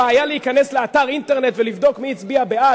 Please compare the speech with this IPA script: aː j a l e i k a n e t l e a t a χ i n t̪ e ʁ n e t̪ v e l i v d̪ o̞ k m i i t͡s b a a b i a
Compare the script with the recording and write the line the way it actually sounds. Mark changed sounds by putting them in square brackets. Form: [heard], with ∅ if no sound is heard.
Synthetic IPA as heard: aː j a l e i k a n e [s] l e a t a [ʁ] i n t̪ e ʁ n e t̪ v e l i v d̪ o̞ k m i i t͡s b [i] a b [e] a